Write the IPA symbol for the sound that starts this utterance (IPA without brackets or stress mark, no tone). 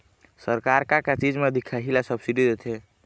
s